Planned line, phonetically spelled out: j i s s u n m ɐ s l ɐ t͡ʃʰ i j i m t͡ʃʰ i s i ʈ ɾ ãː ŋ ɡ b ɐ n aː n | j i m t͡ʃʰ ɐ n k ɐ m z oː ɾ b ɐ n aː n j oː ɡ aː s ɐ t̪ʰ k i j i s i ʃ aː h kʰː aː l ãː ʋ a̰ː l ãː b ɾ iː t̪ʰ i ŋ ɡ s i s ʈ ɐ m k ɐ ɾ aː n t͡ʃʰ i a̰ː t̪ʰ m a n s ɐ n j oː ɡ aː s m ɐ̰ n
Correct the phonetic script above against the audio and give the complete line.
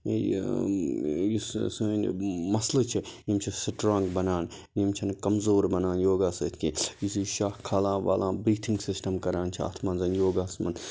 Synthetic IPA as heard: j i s s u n m ɐ s l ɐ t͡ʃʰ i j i m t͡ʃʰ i s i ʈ ɾ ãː ŋ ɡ b ɐ n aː n | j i m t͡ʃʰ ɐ n k ɐ m z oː ɾ b ɐ n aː n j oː ɡ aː s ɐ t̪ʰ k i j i s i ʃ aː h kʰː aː l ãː ʋ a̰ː l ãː b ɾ iː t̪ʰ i ŋ ɡ s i s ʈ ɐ m k ɐ ɾ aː n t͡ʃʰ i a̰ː t̪ʰ m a n z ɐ n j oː ɡ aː s m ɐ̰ n